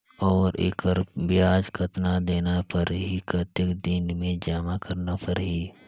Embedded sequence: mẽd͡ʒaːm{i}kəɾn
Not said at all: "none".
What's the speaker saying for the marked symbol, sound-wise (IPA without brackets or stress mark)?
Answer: a